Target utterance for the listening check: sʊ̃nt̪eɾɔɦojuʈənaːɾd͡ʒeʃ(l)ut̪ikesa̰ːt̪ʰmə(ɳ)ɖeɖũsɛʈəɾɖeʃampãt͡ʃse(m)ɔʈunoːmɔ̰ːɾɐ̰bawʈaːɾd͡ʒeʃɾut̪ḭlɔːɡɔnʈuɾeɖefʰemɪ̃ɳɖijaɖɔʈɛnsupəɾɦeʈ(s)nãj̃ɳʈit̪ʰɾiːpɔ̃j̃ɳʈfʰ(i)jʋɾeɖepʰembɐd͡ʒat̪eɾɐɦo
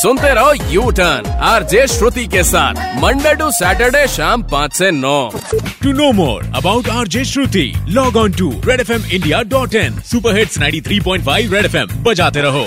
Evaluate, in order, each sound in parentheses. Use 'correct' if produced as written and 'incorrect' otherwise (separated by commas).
incorrect, correct, incorrect, correct, incorrect